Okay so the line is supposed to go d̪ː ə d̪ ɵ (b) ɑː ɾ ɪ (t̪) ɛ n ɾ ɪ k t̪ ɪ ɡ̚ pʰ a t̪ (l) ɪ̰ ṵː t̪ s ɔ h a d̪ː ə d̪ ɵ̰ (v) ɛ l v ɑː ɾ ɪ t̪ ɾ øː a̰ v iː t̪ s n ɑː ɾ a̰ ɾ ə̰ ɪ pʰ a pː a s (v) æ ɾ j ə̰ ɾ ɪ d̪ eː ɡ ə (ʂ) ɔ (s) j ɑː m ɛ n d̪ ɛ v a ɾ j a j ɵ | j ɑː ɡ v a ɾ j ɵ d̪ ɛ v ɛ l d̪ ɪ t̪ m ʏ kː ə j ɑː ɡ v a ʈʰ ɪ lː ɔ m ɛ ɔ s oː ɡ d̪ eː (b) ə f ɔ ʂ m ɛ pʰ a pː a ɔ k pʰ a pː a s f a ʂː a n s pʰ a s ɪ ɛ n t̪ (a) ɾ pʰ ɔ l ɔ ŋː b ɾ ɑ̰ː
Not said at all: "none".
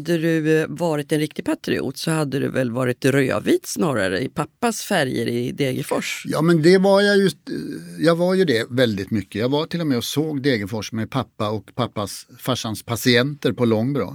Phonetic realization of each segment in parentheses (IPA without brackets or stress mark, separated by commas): v, t̪, ɾ, v, f, f, ʂ, ɡ, ə